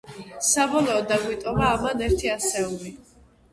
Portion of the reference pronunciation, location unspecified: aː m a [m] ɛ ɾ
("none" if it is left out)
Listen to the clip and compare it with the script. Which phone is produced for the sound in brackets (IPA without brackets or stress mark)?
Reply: n